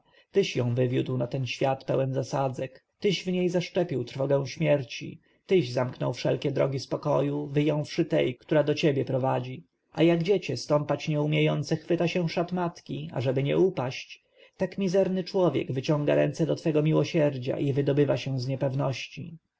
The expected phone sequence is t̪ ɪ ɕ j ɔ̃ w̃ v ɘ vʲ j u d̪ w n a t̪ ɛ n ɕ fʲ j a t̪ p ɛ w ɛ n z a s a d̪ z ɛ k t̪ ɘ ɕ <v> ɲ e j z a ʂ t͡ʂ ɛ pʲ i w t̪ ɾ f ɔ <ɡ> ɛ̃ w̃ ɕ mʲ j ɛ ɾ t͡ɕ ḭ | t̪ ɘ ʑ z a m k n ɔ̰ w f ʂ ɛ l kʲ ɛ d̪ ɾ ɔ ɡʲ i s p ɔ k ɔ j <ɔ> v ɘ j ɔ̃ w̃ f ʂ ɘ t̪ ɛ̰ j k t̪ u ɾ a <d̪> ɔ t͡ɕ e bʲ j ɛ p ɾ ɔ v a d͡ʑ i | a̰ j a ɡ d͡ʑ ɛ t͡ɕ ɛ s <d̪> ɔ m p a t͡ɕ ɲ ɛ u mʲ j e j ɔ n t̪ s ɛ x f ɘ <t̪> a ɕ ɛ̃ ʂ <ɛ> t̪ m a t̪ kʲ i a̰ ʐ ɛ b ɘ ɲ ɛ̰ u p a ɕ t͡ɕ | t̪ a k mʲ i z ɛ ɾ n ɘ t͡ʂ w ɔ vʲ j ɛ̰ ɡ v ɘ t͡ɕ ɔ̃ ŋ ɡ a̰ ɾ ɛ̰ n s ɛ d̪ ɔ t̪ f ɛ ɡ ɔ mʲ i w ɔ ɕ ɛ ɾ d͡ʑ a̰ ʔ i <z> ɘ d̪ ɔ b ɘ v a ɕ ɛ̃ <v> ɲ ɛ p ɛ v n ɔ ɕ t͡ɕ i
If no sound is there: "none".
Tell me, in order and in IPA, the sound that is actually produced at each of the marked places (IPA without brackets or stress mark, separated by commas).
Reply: v, ɡ, u, d̪, t̪, t̪, a, v, z